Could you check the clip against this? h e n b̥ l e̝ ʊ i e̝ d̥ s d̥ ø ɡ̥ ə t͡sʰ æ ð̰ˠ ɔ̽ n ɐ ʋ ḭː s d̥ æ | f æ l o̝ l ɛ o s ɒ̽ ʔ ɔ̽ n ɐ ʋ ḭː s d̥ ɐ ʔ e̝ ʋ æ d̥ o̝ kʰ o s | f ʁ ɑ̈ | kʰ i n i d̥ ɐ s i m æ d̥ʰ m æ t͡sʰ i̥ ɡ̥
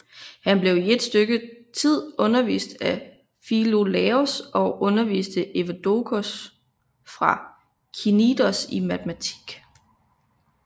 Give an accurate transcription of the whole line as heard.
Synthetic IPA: h æ n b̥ l e̝ ʊ i e̝ d̥ s d̥ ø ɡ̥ ə t͡sʰ i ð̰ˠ ɔ̽ n ɐ ʋ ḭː s d̥ æ | f i l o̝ l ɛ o s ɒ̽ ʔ ɔ̽ n ɐ ʋ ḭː s d̥ ə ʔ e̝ ʋ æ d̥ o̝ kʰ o s | f ʁ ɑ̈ | kʰ i n i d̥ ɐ s i m æ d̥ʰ m æ t͡sʰ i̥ ɡ̥